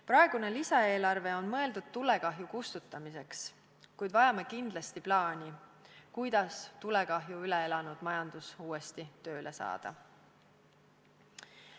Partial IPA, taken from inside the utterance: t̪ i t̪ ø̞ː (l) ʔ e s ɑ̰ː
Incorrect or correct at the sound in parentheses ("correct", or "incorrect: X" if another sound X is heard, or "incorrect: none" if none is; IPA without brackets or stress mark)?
correct